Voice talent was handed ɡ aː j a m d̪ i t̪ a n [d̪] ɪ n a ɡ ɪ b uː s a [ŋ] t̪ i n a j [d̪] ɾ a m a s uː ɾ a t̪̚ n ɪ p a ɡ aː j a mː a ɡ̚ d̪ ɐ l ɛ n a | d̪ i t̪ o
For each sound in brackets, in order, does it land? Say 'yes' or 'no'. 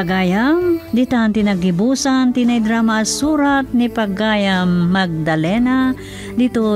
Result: no, no, yes

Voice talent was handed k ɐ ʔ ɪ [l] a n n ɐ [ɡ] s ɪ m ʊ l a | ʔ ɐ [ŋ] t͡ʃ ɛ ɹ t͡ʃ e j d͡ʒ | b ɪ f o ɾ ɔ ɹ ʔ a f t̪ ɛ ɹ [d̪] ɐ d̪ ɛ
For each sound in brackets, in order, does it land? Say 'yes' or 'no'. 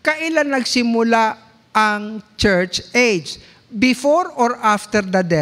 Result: yes, yes, yes, yes

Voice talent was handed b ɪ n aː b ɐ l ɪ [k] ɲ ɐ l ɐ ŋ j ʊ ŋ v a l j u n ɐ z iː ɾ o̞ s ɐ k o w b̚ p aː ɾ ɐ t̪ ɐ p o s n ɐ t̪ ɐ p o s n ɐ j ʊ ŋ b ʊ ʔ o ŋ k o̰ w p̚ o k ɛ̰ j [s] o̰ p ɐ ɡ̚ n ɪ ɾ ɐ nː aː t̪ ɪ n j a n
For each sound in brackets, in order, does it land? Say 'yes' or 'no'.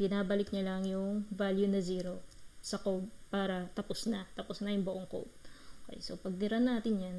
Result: yes, yes

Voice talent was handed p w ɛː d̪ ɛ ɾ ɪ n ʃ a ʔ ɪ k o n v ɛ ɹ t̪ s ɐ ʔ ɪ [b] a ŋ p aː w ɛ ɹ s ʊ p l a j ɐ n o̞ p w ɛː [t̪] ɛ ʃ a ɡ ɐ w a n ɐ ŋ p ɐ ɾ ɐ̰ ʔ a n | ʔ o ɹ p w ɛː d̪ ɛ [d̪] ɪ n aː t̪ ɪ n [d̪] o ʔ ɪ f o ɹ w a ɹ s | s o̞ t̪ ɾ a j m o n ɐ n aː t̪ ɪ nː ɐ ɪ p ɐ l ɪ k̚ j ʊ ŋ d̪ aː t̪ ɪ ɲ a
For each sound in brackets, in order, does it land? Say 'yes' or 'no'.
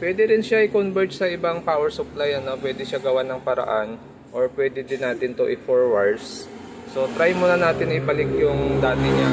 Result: yes, no, yes, no

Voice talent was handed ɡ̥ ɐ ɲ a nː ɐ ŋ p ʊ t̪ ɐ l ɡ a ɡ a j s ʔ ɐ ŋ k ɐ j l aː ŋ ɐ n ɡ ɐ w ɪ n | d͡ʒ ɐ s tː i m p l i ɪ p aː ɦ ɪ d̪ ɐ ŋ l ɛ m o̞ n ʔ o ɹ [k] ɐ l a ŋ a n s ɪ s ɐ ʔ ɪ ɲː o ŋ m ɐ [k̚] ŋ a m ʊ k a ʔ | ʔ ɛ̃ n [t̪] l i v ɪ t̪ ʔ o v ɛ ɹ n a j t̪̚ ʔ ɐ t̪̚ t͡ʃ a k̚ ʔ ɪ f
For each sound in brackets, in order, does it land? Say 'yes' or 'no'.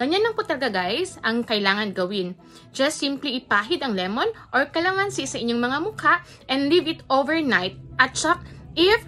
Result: yes, no, no

